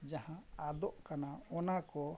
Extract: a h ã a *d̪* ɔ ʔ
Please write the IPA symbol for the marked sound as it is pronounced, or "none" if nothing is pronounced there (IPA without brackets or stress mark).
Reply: d̪